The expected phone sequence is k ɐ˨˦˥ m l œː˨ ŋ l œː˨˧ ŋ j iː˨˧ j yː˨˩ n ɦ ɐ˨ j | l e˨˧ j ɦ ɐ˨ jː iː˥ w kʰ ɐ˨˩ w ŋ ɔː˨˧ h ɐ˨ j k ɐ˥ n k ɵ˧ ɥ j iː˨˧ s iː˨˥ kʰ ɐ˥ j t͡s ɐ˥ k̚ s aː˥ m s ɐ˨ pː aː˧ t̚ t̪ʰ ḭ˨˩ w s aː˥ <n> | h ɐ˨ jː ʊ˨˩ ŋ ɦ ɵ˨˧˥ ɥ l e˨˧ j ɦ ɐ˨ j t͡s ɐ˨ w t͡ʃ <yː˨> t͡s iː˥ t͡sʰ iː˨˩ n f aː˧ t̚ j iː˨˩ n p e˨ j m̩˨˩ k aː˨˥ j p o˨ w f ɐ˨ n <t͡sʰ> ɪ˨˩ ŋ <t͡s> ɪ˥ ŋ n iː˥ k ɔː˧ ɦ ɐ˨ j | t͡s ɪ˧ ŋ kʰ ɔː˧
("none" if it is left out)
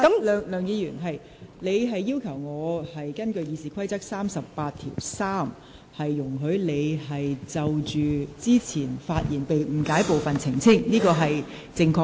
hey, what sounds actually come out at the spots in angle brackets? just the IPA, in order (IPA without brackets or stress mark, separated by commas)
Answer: m, yː˨, t͡sʰ, t͡sʰ